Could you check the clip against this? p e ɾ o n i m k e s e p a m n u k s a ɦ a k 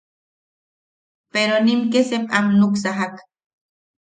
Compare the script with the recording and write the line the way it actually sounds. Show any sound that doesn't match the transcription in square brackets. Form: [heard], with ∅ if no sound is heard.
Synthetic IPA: p e ɾ o n i m k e s e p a m n u k s a ɦ a k